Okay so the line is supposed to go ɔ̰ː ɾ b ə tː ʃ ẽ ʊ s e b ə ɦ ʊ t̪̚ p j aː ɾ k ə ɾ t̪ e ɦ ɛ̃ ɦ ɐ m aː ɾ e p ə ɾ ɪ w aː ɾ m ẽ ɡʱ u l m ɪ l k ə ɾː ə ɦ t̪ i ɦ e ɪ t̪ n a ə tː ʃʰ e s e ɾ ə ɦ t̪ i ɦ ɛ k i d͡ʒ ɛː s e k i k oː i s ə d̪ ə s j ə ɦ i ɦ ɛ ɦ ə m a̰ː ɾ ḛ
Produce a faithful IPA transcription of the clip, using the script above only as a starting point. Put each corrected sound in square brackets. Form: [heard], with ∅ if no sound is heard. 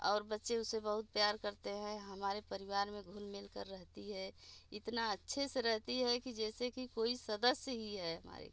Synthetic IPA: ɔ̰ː ɾ b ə tː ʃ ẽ ʊ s e b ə ɦ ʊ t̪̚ p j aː ɾ k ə ɾ t̪ e ɦ ɛ̃ ɦ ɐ m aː ɾ e p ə ɾ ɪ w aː ɾ m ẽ ɡʱ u l m ɪ l k ə ɾː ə ɦ t̪ i ɦ [ɛ] ɪ t̪ n a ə tː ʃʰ e s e ɾ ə ɦ t̪ i ɦ ɛ k i d͡ʒ ɛː s e k i k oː i s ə d̪ ə s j ə ɦ i ɦ ɛ ɦ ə m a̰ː ɾ ḛ